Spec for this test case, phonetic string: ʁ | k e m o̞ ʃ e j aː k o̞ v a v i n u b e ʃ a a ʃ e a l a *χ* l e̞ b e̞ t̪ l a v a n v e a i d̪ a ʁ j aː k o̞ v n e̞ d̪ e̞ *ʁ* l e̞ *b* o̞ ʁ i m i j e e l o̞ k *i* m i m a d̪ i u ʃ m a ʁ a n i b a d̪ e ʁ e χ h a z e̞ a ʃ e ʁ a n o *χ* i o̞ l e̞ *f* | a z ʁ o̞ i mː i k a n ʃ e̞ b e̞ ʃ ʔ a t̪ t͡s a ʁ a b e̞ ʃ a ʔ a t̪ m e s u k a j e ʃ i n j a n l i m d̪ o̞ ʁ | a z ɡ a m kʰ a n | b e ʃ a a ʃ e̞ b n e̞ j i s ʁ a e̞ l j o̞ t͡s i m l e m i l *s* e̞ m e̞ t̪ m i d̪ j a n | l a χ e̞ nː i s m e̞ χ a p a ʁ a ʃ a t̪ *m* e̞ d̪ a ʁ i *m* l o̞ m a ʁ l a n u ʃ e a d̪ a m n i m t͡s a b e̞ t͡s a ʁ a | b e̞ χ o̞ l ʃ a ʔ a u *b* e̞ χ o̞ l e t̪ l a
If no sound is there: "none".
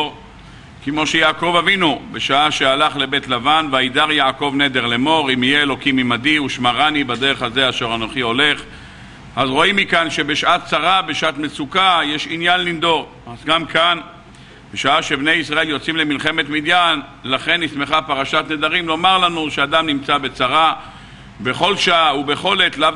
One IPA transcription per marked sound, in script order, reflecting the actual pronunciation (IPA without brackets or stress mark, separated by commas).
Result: χ, ʁ, m, i, χ, χ, χ, n, m, b